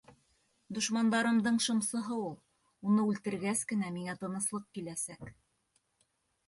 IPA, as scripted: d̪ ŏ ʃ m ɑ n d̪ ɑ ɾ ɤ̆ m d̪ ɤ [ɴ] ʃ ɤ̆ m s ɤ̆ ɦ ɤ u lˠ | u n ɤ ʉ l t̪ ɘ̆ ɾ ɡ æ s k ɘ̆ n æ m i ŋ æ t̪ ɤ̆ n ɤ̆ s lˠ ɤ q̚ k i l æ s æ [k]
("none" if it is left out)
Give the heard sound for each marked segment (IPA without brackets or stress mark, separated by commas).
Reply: ɴ, k